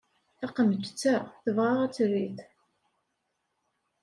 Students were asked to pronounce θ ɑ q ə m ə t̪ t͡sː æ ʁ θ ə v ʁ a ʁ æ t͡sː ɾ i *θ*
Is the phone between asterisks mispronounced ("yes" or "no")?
no